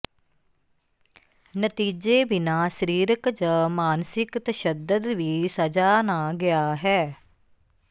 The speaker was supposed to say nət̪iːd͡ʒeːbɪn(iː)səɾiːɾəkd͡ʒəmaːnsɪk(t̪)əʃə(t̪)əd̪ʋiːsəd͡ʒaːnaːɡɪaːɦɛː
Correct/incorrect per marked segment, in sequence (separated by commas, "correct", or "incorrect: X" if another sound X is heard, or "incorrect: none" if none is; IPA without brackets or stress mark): incorrect: aː, correct, incorrect: d̪